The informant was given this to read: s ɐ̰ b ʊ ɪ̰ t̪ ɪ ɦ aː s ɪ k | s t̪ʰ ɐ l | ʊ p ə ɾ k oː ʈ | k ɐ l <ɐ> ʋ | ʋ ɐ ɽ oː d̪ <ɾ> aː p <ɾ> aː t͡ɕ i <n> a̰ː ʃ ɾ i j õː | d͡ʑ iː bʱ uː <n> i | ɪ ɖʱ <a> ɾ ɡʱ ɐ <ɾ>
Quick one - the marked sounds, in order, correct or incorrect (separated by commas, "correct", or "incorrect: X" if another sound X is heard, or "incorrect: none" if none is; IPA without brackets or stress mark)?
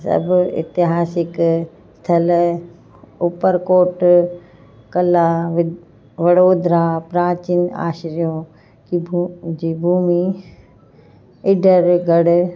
incorrect: a, correct, correct, correct, incorrect: m, incorrect: ə, incorrect: ɽ